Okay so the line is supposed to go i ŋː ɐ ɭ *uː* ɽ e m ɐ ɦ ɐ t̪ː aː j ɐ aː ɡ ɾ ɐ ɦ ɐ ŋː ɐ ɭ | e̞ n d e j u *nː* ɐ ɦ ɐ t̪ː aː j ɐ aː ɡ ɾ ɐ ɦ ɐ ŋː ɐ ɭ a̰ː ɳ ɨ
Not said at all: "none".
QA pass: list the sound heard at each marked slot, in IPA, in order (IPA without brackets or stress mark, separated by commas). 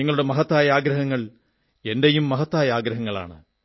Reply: u, mː